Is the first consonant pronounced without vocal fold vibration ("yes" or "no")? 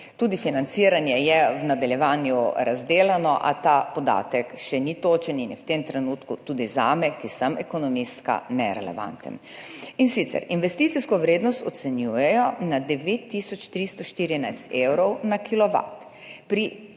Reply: yes